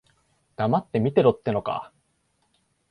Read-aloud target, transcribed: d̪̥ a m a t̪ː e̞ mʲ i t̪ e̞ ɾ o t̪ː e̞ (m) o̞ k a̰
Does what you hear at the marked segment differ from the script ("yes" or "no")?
yes